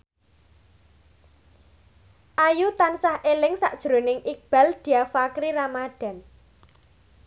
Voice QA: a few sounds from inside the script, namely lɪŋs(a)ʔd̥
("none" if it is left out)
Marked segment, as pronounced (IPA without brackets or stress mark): a